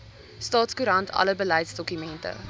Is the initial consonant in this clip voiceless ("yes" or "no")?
yes